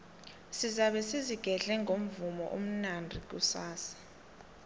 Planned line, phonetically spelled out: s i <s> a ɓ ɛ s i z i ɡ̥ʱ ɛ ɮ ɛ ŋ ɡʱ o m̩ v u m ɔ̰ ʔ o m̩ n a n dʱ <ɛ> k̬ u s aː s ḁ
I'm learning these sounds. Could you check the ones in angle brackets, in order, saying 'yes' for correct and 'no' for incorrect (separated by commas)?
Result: no, no